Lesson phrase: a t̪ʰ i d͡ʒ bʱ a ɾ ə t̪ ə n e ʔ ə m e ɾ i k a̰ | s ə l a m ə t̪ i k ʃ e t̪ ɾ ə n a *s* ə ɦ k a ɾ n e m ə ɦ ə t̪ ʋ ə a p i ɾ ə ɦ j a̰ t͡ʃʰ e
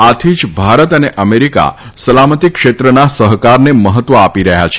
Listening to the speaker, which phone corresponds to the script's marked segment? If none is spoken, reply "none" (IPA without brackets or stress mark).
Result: s